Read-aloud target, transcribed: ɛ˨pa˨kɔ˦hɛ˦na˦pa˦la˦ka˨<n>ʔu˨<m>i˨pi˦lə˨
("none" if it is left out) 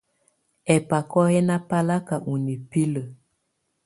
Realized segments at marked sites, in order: none, n

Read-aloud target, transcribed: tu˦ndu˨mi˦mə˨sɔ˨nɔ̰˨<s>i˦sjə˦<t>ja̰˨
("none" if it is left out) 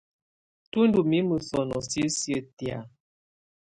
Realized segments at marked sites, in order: s, t

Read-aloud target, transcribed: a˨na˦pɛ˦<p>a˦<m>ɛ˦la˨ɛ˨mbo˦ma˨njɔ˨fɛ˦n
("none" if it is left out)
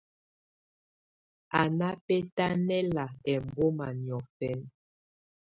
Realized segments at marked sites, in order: t, n

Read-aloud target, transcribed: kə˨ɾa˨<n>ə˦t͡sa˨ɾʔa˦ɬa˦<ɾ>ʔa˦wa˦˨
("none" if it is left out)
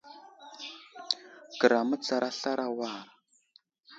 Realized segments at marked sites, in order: m, ɾ

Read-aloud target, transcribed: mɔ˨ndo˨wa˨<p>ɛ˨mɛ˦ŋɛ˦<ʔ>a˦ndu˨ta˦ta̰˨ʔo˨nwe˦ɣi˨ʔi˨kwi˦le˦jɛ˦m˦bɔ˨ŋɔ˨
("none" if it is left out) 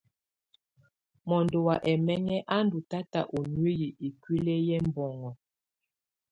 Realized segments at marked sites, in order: ʔ, ʔ

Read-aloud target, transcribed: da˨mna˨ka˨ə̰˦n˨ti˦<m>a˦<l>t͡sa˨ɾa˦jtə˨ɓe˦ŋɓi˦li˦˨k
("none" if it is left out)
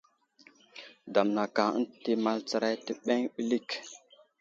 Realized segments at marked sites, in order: m, l

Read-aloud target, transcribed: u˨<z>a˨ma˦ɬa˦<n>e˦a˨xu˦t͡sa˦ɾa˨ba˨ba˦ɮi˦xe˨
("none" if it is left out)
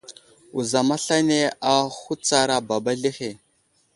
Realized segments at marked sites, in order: z, n

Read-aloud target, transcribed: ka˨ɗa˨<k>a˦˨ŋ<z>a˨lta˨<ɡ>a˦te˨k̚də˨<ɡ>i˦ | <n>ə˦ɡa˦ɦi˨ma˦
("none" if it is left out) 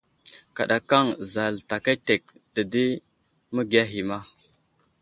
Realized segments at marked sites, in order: k, z, k, d, m

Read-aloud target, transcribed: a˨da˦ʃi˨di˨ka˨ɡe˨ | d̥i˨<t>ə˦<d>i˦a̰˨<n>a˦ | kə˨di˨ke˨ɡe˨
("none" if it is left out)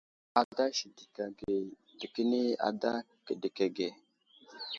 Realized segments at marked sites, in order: k, n, d

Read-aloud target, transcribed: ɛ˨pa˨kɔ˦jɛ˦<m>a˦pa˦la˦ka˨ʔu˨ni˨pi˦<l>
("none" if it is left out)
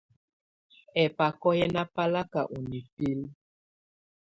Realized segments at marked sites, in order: n, l

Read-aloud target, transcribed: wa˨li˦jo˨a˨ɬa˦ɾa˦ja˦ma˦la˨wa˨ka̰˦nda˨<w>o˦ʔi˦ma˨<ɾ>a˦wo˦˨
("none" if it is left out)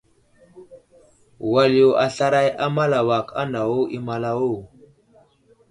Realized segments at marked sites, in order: w, l

